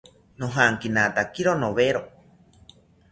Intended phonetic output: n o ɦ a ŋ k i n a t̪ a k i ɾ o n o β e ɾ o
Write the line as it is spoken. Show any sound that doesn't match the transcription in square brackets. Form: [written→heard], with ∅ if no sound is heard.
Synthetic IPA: n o ɦ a ŋ k i n a t̪ a k i ɾ o n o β e ɾ o

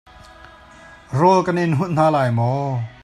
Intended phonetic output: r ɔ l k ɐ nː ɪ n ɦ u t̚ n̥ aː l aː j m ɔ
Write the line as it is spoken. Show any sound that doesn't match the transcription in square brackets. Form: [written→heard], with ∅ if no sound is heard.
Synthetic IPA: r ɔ l k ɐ [nː→n] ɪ n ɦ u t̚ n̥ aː l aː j m ɔ

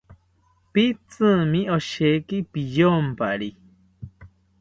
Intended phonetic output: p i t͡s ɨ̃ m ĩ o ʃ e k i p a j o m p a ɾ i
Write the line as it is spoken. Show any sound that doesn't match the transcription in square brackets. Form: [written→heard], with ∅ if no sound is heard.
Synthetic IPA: p i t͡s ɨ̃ m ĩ o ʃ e k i p [a→i] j o m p a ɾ i

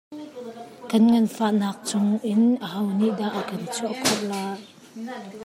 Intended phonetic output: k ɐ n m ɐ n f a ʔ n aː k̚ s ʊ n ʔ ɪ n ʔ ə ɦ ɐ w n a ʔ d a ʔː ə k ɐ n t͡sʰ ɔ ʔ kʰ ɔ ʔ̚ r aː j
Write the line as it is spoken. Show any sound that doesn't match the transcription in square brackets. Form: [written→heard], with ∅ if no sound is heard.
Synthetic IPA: k ɐ n [m→ŋ] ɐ n f a ʔ n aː k̚ [s→t͡s] ʊ [n→ŋ] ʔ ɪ n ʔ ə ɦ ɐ w n [a→i] ʔ d a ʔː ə k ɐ n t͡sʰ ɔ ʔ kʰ ɔ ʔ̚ [r→l] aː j

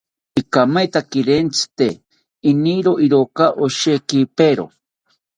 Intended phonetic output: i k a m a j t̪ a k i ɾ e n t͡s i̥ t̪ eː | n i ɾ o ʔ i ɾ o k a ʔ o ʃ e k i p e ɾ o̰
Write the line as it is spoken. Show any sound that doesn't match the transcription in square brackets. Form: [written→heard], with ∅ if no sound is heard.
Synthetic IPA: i k a m a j t̪ a k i ɾ e n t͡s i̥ t̪ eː | n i ɾ o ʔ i ɾ o k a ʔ o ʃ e k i p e ɾ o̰

